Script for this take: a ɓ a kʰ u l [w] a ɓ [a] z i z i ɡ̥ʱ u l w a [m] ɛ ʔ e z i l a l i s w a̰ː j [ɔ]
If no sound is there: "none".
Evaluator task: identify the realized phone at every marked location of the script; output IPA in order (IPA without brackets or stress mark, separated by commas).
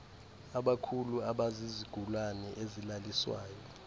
u, a, n, ɔ